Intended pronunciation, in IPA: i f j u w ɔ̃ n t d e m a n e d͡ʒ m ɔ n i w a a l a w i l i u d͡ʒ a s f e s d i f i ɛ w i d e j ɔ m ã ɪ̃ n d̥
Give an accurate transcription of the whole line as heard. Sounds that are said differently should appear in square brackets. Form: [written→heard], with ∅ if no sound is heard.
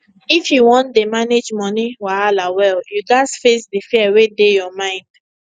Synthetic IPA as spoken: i f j u w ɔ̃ n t d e m a n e d͡ʒ m ɔ n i w a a l a w [i→ɛ] l [i→j] u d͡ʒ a s f e s d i f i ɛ w [i→e] d e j ɔ m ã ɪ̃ n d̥